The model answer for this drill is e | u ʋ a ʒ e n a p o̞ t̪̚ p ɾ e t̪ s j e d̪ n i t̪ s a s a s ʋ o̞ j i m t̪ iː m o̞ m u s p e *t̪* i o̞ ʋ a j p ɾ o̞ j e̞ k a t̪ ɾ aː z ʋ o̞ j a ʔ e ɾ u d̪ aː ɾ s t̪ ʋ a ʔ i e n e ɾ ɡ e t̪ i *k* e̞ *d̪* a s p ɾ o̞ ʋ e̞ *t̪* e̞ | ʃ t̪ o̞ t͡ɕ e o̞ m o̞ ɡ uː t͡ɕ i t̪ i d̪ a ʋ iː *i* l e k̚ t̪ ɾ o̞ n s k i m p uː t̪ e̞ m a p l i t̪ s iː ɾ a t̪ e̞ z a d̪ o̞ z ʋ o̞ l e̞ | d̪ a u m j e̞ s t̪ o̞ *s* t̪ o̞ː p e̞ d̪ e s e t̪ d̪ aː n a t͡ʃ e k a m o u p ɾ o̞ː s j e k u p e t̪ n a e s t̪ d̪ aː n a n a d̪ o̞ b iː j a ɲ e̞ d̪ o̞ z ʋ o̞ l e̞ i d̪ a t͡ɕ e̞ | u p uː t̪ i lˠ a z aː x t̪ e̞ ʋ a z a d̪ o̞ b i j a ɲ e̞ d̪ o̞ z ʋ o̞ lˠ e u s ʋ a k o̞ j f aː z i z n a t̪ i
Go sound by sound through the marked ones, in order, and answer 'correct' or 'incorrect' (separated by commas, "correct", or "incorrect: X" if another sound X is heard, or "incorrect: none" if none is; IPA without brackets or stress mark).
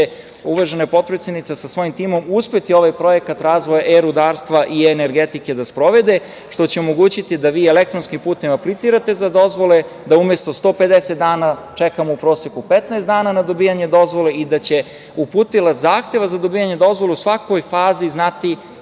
correct, correct, correct, incorrect: d̪, incorrect: e, correct